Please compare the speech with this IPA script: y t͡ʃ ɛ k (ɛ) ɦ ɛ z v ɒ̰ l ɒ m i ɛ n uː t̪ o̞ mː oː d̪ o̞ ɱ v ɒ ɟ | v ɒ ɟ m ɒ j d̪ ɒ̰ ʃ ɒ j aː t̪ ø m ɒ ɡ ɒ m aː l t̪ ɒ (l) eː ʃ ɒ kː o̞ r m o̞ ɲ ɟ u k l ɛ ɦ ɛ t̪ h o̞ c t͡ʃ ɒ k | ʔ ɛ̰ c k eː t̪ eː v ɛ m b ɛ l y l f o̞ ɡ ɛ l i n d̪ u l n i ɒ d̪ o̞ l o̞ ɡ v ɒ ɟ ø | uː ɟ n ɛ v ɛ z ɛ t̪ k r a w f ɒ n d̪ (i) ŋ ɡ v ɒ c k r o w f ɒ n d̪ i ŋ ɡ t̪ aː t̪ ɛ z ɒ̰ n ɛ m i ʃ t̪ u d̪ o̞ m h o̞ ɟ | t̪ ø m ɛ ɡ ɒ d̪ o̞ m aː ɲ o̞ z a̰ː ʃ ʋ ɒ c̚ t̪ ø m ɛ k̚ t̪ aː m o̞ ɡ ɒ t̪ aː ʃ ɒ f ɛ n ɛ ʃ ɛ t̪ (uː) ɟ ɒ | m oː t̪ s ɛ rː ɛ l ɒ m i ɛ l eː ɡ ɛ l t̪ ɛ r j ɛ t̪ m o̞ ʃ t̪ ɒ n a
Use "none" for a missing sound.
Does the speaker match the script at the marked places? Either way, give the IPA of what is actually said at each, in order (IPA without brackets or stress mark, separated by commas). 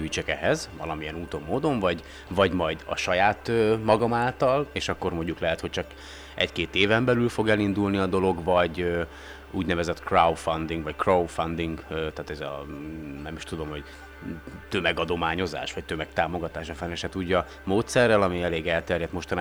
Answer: ɛ, l, i, uː